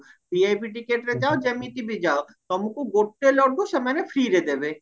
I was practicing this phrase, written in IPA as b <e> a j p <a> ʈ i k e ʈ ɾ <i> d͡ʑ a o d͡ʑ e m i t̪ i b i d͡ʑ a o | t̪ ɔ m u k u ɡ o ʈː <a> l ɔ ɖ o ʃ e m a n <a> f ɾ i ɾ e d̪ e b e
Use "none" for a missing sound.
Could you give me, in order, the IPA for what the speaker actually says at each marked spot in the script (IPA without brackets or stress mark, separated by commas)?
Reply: i, i, e, e, e